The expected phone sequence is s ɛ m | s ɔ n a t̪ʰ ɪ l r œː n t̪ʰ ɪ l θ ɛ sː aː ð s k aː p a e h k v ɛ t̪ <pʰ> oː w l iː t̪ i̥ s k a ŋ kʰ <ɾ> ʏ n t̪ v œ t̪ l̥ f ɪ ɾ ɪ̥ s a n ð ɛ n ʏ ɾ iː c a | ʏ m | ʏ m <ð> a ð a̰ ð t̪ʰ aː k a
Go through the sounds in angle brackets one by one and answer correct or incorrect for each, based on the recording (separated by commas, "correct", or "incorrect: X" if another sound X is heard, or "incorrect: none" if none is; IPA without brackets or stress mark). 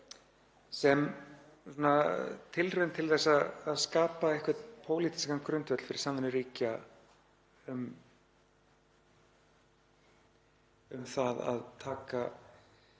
correct, correct, incorrect: θ